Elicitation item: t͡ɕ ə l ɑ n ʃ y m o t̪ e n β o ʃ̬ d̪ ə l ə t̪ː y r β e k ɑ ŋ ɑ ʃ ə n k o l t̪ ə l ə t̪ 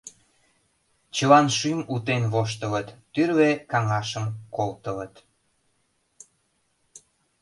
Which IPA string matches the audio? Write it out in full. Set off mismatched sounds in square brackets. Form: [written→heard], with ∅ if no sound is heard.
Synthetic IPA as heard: t͡ɕ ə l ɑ n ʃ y m [o→u] t̪ e n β o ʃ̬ [d̪→t̪] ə l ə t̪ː y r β e k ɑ ŋ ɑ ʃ ə [n→m] k o l t̪ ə l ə t̪